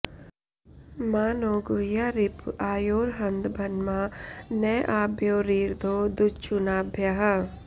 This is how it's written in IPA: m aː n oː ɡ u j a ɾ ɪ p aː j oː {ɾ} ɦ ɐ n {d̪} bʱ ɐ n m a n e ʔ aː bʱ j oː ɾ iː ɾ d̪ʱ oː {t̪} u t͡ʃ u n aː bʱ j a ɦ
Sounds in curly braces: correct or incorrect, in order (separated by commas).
correct, correct, incorrect